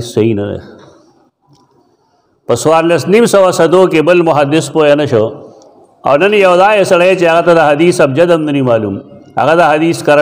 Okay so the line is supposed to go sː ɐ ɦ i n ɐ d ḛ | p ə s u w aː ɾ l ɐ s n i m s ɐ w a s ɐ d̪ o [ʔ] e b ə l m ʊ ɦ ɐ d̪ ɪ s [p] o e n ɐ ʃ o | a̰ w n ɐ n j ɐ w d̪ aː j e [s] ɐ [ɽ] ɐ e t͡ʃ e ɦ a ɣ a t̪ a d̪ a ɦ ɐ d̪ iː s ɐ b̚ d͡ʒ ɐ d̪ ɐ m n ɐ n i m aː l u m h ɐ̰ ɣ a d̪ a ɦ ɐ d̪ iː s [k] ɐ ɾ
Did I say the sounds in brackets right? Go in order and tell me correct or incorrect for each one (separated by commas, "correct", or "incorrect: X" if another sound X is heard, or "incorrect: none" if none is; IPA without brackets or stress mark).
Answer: incorrect: k, correct, correct, correct, correct